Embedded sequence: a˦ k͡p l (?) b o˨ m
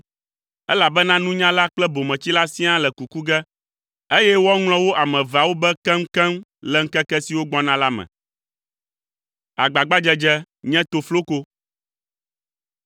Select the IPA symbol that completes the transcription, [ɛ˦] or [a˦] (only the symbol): ɛ˦